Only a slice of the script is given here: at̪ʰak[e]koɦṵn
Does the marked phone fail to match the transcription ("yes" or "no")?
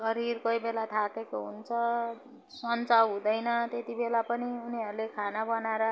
no